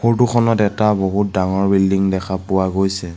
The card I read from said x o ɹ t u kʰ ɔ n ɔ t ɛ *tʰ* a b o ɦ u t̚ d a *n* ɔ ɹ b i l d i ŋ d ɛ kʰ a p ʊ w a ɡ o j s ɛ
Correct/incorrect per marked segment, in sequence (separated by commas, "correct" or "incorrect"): incorrect, incorrect